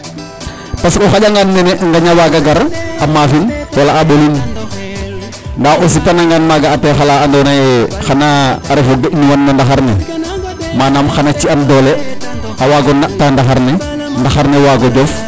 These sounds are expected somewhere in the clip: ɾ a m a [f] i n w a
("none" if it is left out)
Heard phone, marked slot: f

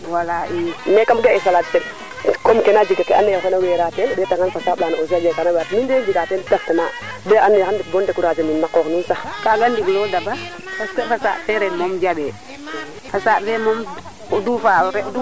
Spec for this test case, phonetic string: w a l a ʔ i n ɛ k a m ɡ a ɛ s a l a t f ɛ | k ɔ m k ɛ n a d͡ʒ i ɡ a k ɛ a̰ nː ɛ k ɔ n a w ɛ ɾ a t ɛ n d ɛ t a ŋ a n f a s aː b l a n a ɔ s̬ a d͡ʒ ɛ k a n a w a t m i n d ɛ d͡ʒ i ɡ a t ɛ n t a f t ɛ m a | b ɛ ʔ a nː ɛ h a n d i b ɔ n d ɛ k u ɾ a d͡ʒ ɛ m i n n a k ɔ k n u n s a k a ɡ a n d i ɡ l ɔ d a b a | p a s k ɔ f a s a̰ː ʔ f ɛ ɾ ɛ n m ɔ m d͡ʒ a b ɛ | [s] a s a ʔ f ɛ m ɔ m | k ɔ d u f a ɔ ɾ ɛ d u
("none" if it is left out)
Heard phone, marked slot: f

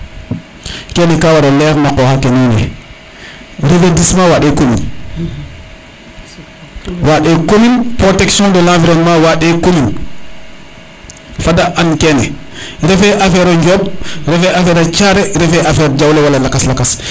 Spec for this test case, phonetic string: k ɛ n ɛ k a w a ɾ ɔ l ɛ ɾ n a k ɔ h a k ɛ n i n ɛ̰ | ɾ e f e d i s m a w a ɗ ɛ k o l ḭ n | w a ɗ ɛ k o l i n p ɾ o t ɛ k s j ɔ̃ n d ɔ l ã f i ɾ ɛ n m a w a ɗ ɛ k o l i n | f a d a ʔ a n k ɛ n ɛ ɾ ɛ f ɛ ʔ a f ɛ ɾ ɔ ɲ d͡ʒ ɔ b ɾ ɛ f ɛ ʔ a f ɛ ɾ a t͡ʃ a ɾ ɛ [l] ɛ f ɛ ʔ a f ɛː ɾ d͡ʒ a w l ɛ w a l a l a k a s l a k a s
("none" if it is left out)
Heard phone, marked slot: ɾ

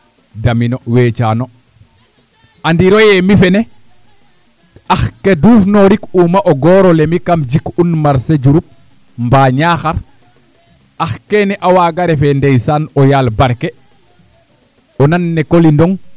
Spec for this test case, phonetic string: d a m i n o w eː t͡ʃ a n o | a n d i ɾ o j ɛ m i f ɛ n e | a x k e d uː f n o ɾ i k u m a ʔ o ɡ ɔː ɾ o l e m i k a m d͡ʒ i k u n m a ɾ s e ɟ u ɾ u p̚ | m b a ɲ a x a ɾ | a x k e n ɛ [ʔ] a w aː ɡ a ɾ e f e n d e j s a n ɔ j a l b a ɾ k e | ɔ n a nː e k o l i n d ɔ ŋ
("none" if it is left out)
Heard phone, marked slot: ʔ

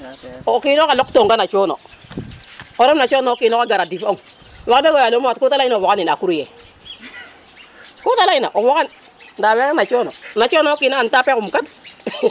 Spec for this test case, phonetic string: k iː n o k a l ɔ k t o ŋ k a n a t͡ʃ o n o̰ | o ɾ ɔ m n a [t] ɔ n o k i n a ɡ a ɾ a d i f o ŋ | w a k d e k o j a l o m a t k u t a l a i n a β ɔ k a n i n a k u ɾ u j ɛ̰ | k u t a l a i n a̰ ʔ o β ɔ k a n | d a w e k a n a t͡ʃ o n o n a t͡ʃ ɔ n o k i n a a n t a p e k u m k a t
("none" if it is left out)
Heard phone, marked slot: t͡ʃ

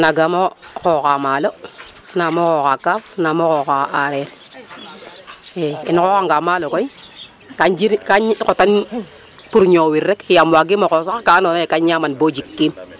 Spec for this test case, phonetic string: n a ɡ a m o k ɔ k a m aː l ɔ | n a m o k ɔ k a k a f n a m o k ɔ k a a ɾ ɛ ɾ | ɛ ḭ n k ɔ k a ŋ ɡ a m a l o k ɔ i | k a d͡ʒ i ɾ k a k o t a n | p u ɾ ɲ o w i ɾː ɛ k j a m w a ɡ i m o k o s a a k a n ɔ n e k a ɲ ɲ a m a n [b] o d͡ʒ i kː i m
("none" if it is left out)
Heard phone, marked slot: b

